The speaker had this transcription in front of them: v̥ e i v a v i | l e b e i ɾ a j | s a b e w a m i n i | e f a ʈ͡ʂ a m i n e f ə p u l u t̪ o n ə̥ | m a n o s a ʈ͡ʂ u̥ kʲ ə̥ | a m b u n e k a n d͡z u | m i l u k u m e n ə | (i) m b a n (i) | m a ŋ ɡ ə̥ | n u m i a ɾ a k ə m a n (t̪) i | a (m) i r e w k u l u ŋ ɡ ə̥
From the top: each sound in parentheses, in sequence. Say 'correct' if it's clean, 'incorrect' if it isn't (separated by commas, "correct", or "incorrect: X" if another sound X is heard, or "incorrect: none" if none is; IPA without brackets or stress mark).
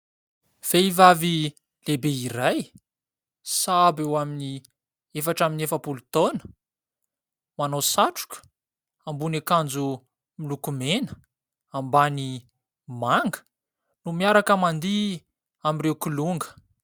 incorrect: a, correct, incorrect: d̪, correct